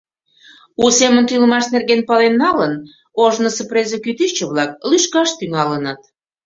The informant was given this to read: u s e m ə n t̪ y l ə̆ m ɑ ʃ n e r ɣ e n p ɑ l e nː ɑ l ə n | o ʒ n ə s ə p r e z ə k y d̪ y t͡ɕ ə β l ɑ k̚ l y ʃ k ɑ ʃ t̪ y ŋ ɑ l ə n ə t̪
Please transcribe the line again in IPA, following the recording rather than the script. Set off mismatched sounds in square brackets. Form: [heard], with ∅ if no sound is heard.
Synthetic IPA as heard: u s e m ə n t̪ y l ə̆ m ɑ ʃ n e r ɣ e n p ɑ l e nː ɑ l ə n | o ʒ n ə s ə p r e z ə k y [t̪] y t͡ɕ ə β l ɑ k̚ l y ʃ k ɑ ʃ t̪ y ŋ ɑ l ə n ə t̪